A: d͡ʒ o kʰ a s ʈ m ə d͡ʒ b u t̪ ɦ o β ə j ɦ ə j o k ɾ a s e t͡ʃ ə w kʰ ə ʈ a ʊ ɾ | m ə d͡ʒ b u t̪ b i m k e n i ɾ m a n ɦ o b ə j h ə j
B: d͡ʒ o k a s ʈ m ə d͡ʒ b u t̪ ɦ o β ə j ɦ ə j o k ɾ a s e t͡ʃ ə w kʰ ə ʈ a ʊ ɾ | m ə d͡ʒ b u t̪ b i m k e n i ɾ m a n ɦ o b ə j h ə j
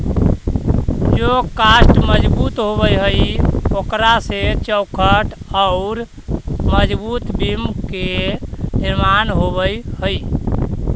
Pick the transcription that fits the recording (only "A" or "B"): B